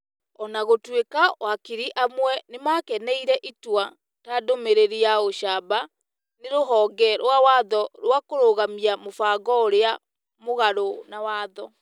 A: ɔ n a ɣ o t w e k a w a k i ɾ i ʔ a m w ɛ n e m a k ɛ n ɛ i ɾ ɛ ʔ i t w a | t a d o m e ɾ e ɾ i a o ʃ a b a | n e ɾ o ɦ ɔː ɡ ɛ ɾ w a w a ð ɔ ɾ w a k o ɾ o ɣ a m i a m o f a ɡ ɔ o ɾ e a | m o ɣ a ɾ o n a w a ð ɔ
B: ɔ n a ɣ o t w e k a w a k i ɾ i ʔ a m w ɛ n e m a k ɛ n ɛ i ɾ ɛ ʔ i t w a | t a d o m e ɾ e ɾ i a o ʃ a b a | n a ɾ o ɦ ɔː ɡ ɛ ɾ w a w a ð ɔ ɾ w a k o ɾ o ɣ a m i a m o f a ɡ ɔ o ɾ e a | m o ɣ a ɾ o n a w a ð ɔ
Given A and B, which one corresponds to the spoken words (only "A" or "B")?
A